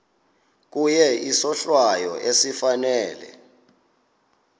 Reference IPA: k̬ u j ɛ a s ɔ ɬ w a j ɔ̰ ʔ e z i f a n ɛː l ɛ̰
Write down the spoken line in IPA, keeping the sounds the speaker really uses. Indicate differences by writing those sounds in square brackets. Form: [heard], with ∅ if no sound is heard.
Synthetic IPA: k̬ u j ɛ [i] s ɔ ɬ w a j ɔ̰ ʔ e [s] i f a n ɛː l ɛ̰